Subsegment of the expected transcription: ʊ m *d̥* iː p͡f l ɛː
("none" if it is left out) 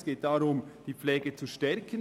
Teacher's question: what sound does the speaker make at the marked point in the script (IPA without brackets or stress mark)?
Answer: d̥